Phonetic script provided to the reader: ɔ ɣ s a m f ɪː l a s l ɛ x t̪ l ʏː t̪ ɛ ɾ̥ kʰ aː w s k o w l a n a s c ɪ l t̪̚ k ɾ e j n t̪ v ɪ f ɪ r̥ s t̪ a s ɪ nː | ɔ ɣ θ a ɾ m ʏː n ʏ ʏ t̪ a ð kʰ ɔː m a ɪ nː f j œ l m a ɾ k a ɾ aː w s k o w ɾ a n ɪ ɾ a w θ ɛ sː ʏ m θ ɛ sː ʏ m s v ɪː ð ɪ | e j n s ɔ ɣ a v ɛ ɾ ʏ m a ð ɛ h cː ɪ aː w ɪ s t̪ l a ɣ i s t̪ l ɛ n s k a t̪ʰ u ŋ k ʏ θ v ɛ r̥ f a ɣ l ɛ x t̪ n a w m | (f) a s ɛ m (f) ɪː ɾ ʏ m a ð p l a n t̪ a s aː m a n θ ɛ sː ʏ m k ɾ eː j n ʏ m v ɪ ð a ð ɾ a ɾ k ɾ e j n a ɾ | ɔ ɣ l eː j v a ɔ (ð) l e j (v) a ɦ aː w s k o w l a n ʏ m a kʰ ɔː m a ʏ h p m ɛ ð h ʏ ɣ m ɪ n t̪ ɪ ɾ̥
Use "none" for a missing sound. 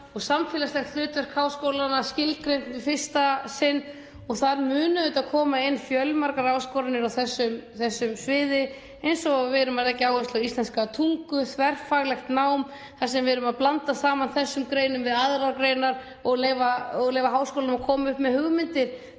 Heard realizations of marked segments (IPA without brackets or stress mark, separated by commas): θ, v, ɣ, v